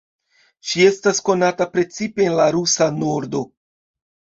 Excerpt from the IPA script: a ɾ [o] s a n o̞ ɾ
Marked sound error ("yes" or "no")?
yes